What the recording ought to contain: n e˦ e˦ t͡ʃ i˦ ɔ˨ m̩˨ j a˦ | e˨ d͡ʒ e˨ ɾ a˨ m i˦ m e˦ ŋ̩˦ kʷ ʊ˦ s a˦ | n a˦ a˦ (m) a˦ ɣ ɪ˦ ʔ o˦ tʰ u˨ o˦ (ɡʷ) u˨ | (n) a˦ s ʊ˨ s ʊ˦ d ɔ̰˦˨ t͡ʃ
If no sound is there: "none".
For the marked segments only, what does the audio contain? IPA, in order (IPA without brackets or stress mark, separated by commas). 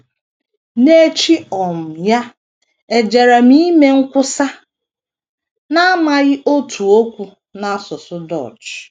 m, kʷ, n